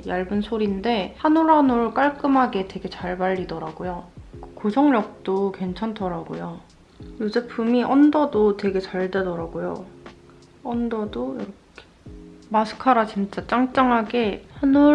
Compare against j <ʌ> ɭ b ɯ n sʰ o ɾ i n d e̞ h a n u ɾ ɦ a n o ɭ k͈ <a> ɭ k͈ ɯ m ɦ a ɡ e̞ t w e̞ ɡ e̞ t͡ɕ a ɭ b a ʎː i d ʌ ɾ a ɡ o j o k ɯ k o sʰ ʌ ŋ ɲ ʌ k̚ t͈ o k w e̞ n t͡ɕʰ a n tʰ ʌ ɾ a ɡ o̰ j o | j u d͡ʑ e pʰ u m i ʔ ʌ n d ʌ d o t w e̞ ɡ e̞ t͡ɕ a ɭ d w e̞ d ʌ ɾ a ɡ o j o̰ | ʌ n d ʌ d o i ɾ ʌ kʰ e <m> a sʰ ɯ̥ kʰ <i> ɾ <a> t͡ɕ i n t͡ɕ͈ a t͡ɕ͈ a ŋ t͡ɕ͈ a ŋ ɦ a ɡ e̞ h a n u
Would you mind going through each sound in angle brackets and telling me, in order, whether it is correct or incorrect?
incorrect: a, correct, correct, incorrect: a, correct

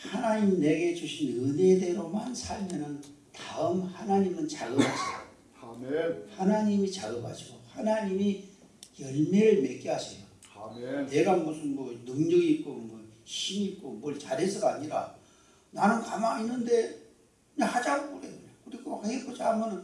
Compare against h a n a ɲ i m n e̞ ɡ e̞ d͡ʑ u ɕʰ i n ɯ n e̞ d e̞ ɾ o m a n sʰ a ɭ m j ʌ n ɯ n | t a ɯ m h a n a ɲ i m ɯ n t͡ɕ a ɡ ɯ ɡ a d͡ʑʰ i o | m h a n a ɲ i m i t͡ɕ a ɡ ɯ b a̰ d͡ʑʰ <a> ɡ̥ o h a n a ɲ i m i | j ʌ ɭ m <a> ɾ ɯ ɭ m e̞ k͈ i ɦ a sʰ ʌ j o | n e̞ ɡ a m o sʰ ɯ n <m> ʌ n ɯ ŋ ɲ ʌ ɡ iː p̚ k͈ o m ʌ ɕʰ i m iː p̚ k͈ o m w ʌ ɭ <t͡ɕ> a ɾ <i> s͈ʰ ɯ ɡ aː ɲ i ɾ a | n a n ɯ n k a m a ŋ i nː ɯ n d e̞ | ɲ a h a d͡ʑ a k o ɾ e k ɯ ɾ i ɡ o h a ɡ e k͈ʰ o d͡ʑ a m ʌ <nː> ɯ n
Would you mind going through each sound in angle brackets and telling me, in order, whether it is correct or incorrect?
incorrect: i, incorrect: e, correct, correct, incorrect: e, incorrect: n

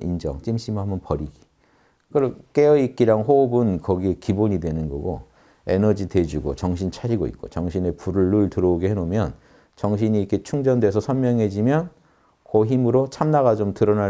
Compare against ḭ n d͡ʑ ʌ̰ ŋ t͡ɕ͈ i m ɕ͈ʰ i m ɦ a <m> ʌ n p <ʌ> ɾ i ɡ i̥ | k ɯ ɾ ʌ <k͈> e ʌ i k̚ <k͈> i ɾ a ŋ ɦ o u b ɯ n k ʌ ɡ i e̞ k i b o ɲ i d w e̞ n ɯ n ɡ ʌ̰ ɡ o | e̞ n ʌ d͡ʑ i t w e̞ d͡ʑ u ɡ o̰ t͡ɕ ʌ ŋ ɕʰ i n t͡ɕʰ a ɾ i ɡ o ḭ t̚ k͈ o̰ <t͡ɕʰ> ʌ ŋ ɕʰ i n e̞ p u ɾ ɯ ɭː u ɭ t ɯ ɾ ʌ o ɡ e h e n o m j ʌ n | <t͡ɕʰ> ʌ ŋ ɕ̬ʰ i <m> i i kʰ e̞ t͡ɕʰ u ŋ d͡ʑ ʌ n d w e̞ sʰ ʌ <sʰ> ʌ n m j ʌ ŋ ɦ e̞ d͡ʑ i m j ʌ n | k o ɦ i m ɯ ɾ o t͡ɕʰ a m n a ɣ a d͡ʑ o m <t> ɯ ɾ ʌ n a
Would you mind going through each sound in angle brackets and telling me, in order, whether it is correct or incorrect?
correct, correct, correct, correct, incorrect: t͡ɕ, incorrect: t͡ɕ, incorrect: ɲ, correct, correct

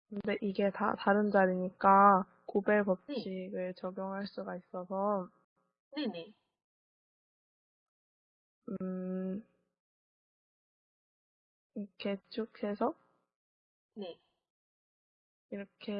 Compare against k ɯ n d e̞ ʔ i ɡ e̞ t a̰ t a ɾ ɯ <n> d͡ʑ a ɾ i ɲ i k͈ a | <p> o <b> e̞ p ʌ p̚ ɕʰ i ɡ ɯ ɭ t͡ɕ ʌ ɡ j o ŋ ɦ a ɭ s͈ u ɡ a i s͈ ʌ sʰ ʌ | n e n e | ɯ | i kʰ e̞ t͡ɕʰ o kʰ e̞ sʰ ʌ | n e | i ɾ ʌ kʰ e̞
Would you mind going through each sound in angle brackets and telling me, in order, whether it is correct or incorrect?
correct, incorrect: k, correct

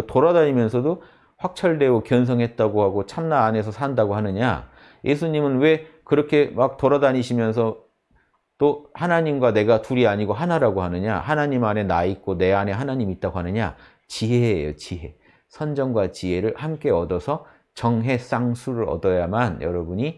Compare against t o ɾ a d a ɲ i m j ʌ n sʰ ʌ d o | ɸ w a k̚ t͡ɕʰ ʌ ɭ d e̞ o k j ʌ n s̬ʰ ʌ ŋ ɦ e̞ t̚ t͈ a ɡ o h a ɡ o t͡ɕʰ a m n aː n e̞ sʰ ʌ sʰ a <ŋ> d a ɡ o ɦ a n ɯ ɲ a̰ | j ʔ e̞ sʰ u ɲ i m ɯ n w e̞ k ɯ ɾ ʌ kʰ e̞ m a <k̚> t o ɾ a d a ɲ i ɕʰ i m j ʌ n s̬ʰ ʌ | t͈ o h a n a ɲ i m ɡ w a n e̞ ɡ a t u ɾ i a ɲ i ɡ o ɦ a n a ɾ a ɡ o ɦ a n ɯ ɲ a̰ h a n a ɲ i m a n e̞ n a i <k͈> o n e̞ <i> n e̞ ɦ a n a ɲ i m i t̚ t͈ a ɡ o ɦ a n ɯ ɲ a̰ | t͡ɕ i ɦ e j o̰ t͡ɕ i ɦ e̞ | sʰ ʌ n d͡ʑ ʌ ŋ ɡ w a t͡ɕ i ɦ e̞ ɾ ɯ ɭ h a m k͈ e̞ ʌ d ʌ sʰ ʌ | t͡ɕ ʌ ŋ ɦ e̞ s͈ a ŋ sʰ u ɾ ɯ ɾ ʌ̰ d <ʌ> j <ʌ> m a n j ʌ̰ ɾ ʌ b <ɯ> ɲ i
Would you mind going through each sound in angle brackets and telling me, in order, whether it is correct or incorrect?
incorrect: n, correct, correct, incorrect: a, correct, incorrect: a, incorrect: u

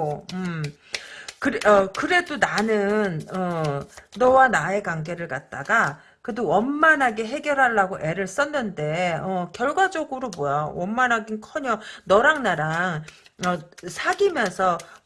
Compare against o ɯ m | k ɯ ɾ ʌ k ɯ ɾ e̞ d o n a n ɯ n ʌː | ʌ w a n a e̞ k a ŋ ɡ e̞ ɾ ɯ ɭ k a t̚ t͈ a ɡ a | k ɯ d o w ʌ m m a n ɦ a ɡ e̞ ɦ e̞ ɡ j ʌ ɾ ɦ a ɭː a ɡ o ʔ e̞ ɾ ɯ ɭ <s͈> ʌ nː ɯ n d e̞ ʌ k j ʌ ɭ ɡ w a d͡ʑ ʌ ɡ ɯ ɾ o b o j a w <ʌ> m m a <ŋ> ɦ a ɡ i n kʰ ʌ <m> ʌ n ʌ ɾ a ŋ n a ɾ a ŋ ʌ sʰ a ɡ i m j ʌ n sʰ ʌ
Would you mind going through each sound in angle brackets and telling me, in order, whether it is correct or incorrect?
correct, correct, incorrect: n, incorrect: ɲ

